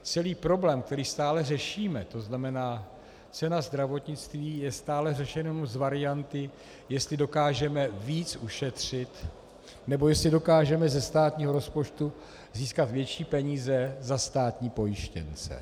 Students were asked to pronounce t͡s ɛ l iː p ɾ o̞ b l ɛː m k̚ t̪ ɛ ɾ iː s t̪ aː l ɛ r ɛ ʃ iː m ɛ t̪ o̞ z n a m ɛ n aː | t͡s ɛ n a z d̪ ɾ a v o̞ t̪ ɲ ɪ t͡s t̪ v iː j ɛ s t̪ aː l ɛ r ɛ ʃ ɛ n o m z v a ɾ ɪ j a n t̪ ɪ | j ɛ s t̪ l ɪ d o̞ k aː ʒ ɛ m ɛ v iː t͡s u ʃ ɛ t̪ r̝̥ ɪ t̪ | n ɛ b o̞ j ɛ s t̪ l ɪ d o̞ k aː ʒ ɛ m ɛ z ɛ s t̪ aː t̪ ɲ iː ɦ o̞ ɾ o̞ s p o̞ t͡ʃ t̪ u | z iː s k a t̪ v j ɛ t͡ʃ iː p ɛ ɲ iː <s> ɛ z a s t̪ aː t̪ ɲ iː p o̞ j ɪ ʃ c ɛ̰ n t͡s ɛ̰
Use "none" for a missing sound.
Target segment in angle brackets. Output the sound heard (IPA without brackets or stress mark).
z